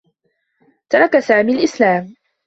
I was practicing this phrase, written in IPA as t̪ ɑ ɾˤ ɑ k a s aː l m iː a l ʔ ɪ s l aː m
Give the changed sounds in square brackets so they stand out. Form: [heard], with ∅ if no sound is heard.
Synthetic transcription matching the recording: t̪ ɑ ɾˤ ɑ k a s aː [∅] m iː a l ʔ ɪ s l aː m

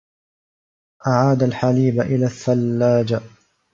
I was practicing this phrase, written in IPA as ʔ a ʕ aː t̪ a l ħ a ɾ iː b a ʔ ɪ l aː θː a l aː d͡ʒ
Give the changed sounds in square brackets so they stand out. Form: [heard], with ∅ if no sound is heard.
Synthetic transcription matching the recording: ʔ a ʕ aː [d̪] a l ħ a [l] iː b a ʔ ɪ l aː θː a [lː] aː d͡ʒ

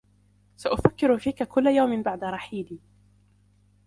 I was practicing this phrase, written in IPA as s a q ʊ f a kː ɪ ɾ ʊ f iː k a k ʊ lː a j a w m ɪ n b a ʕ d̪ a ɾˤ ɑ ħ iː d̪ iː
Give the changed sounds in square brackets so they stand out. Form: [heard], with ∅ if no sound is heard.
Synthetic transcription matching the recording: s a [ʔ] ʊ f a kː ɪ ɾ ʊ f iː k a k ʊ lː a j a w m ɪ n b a ʕ d̪ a ɾˤ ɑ ħ iː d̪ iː

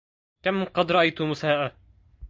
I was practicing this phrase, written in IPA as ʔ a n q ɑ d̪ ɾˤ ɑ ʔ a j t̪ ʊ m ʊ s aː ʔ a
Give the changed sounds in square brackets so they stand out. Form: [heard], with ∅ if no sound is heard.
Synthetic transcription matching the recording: [k] a [m] q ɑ d̪ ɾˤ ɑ ʔ a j t̪ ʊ m ʊ s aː ʔ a

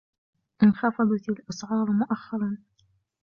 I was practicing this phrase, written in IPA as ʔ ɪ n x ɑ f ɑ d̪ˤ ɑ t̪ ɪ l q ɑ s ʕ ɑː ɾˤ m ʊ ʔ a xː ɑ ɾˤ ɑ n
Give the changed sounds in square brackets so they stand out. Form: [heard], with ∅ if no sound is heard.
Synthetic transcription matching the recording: ʔ ɪ n x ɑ f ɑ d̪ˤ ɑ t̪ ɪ l [ʔ] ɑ s ʕ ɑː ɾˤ m ʊ ʔ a xː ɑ ɾˤ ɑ n

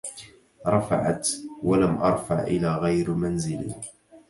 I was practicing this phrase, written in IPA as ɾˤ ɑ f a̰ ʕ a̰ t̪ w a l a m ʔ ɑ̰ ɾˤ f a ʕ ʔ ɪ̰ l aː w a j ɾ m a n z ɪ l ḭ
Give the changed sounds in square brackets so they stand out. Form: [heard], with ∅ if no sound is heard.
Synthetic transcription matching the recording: ɾˤ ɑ f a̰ ʕ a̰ t̪ w a l a m ʔ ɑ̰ ɾˤ f a ʕ ʔ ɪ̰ l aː [ɣ] a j ɾ m a n z ɪ l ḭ

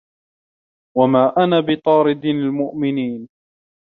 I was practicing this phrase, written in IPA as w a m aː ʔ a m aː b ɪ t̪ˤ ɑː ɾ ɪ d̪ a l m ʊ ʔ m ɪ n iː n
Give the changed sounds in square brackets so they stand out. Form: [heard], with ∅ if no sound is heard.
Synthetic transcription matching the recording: w a m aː ʔ a [n] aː b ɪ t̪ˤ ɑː ɾ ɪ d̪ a l m ʊ ʔ m ɪ n iː n

